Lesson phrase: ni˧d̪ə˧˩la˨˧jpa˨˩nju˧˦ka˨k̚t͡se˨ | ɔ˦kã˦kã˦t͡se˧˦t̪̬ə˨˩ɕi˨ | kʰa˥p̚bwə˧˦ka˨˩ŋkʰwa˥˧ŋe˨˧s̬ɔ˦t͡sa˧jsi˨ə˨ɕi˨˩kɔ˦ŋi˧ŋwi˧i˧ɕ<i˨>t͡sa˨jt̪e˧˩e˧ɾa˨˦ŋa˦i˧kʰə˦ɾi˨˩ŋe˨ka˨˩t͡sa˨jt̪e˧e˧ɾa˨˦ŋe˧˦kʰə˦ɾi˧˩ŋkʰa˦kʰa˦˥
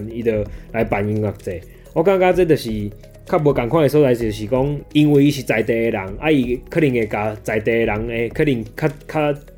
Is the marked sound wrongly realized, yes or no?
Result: no